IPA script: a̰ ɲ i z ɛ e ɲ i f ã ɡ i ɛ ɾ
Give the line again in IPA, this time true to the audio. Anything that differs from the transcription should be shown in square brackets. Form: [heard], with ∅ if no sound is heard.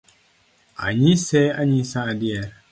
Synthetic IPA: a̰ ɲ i [s] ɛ [a] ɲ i [s] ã [d] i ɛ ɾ